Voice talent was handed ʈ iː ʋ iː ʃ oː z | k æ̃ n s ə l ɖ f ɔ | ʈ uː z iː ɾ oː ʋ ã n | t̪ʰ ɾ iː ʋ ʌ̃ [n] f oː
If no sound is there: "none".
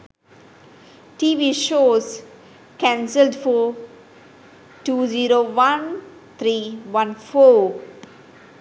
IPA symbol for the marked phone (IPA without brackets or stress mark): n